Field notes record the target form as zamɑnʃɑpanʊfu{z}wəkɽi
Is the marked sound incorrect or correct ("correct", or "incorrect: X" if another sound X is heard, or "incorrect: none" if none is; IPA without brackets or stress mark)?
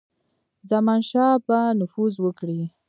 correct